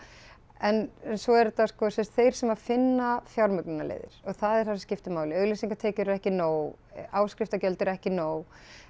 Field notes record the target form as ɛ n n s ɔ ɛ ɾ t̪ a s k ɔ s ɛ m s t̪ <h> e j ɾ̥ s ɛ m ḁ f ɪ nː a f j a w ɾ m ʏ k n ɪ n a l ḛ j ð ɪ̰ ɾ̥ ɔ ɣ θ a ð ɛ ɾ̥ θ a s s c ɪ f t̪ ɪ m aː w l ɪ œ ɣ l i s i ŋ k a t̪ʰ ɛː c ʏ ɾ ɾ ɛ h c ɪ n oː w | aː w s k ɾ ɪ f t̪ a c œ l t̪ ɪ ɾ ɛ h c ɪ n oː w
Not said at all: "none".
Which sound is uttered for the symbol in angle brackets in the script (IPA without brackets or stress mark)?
θ